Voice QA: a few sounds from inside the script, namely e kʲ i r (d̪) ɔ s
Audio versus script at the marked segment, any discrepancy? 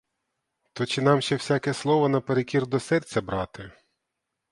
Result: no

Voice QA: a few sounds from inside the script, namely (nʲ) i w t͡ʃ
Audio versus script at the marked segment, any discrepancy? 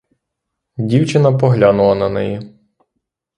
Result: yes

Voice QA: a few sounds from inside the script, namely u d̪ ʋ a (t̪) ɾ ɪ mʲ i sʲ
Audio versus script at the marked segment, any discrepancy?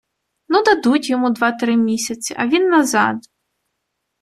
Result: no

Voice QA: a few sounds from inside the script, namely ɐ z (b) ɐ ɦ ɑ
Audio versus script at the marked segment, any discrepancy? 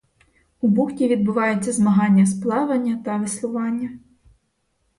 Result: yes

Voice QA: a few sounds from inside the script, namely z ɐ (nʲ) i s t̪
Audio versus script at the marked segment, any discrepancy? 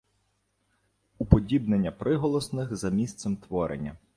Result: yes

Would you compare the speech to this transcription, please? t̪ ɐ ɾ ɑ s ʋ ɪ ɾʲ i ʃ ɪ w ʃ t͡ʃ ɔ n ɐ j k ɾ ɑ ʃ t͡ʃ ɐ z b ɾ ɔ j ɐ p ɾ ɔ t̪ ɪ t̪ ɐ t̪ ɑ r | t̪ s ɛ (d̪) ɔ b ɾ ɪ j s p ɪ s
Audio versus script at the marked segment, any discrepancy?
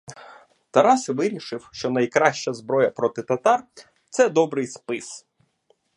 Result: no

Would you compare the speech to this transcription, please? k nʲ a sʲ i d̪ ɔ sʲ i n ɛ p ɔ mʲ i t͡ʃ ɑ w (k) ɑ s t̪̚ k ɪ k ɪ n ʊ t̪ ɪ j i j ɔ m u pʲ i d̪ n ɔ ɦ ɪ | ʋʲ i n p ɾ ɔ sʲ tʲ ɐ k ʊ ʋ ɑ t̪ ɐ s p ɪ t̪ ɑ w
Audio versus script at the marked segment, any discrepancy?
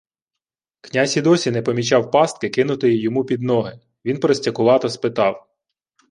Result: yes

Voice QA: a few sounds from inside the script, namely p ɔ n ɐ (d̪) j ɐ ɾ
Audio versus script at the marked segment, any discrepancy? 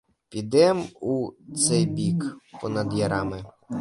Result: no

